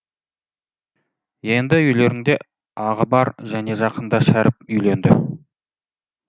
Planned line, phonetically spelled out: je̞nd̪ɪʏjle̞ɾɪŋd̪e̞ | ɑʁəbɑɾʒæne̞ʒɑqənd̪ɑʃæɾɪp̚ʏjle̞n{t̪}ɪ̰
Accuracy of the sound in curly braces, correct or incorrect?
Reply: incorrect